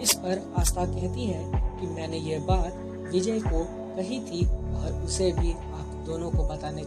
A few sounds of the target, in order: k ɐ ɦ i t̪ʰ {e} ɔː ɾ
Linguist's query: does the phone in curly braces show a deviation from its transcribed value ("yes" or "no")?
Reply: yes